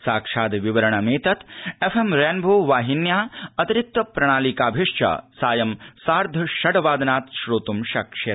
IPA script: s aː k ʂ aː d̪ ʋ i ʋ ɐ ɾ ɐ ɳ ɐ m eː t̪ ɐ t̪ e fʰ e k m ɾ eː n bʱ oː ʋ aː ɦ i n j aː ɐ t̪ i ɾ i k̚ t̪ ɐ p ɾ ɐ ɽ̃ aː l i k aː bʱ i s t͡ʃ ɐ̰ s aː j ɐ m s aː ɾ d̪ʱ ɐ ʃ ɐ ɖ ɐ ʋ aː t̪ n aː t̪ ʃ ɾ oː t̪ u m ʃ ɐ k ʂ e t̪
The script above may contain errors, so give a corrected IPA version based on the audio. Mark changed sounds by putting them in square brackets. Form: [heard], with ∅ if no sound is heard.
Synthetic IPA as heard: s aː k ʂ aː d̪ ʋ i ʋ ɐ ɾ ɐ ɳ ɐ m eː t̪ ɐ t̪ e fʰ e [∅] m ɾ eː n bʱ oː ʋ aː ɦ i n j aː ɐ t̪ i ɾ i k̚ t̪ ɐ p ɾ ɐ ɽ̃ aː l i k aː bʱ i [ʂ] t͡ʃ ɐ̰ s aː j ɐ m s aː ɾ d̪ʱ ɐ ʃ ɐ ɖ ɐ ʋ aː [d̪] n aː t̪ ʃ ɾ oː t̪ u m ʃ ɐ k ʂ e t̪

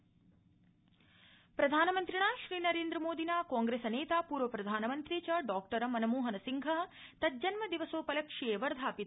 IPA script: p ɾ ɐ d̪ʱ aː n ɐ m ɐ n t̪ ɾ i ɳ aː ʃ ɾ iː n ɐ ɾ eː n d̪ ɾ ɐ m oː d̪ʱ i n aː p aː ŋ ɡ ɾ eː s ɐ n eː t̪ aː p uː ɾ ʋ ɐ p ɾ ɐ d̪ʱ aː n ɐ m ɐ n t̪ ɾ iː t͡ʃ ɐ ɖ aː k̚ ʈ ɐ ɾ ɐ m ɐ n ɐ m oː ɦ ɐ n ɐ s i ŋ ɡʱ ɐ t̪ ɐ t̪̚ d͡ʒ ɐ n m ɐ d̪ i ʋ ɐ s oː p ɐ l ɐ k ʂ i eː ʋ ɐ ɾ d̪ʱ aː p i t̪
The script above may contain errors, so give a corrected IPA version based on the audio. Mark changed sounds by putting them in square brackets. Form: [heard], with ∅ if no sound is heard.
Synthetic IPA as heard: p ɾ ɐ d̪ʱ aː n ɐ m ɐ n t̪ ɾ i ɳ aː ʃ ɾ iː n ɐ ɾ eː n d̪ ɾ ɐ m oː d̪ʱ i n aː [k] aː ŋ ɡ ɾ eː s ɐ n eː t̪ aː p uː ɾ ʋ ɐ p ɾ ɐ d̪ʱ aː n ɐ m ɐ n t̪ ɾ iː t͡ʃ ɐ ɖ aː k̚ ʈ ɐ ɾ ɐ m ɐ n ɐ m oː ɦ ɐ n ɐ s i ŋ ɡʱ ɐ t̪ ɐ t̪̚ d͡ʒ ɐ n m ɐ d̪ i ʋ ɐ s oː p ɐ l ɐ k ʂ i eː ʋ ɐ ɾ d̪ʱ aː p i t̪

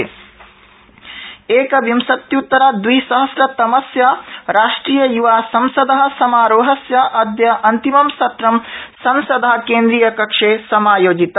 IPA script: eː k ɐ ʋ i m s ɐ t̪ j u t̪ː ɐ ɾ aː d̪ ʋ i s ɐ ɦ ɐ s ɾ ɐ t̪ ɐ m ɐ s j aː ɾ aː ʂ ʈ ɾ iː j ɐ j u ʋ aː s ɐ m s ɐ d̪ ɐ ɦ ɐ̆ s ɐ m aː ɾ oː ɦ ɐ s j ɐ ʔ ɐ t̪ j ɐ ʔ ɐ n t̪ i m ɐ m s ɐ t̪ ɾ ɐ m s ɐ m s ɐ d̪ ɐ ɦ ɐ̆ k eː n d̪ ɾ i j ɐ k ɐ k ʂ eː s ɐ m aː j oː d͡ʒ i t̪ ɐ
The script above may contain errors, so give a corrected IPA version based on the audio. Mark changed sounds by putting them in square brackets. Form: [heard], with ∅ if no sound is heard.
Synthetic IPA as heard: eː k ɐ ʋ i m s ɐ t̪ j u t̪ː ɐ ɾ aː d̪ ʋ i s ɐ ɦ ɐ s ɾ ɐ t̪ ɐ m ɐ s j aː ɾ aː ʂ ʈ ɾ iː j ɐ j u ʋ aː s ɐ m s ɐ d̪ ɐ ɦ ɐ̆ s ɐ m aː ɾ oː ɦ ɐ s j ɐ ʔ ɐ [d̪] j ɐ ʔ ɐ n t̪ i m ɐ m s ɐ t̪ ɾ ɐ m s ɐ m s ɐ d̪ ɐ ɦ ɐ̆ k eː n d̪ ɾ i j ɐ k ɐ k ʂ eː s ɐ m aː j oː d͡ʒ i t̪ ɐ

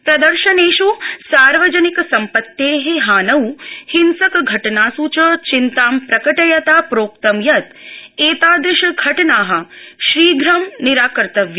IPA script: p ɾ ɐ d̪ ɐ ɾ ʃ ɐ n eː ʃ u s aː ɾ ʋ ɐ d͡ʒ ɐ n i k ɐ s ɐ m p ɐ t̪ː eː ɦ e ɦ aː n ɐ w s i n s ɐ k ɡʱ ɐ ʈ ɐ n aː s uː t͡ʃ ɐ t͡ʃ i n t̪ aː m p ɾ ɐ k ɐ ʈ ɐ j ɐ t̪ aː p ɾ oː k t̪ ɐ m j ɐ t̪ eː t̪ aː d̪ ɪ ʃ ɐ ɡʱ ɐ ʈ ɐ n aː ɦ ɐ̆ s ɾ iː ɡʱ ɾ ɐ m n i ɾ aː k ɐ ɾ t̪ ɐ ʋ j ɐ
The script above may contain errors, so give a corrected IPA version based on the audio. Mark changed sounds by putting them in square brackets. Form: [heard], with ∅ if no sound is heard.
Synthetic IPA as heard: p ɾ ɐ d̪ ɐ ɾ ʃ ɐ n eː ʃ u s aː ɾ ʋ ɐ d͡ʒ ɐ n i k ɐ s ɐ m p ɐ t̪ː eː ɦ e ɦ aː n ɐ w [h] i n s ɐ k ɡʱ ɐ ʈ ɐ n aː s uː t͡ʃ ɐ t͡ʃ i n t̪ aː m p ɾ ɐ k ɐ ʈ ɐ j ɐ t̪ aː p ɾ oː k t̪ ɐ m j ɐ t̪ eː t̪ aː d̪ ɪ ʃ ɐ ɡʱ ɐ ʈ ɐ n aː ɦ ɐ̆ [ʃ] ɾ iː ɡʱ ɾ ɐ m n i ɾ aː k ɐ ɾ t̪ ɐ ʋ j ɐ

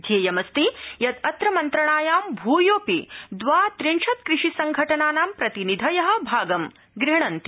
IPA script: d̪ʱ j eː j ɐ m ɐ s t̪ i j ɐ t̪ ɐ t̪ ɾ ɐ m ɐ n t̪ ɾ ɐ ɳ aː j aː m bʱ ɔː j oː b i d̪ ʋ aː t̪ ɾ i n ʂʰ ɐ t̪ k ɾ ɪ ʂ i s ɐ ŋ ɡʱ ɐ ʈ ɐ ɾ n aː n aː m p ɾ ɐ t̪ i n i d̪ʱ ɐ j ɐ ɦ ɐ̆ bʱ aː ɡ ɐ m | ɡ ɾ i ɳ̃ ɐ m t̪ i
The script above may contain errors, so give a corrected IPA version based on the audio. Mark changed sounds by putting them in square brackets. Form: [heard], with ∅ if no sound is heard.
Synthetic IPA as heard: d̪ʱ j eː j ɐ m ɐ s t̪ i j ɐ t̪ ɐ t̪ ɾ ɐ m ɐ n t̪ ɾ ɐ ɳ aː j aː m bʱ [uː] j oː [p] i d̪ ʋ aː t̪ ɾ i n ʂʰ ɐ t̪ k ɾ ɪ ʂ i s ɐ ŋ ɡʱ ɐ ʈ ɐ [∅] n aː n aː m p ɾ ɐ t̪ i n i d̪ʱ ɐ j ɐ ɦ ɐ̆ bʱ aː ɡ ɐ m | ɡ ɾ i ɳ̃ ɐ [n] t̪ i

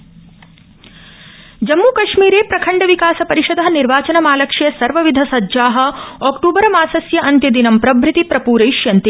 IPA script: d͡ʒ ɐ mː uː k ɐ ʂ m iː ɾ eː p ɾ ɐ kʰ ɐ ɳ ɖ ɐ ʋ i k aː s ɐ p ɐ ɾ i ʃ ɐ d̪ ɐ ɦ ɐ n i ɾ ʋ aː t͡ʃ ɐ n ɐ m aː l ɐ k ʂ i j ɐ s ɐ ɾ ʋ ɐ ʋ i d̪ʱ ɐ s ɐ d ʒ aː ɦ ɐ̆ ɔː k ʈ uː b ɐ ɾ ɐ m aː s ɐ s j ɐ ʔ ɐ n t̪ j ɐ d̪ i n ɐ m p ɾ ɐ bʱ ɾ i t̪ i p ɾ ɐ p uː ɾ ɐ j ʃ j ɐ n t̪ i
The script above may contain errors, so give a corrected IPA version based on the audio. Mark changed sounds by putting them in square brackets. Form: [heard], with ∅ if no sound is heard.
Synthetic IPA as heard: d͡ʒ ɐ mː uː k ɐ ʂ m iː ɾ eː p ɾ ɐ kʰ ɐ ɳ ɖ ɐ ʋ i k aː s ɐ p ɐ ɾ i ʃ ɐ d̪ ɐ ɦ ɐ n i ɾ ʋ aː t͡ʃ ɐ n ɐ m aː l ɐ k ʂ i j ɐ s ɐ ɾ ʋ ɐ ʋ i d̪ʱ ɐ s ɐ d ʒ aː ɦ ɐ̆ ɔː k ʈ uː b ɐ ɾ ɐ m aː s ɐ s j ɐ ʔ ɐ n t̪ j ɐ d̪ i n ɐ m p ɾ ɐ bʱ ɾ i t̪ i p ɾ ɐ p uː ɾ ɐ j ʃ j ɐ n t̪ i

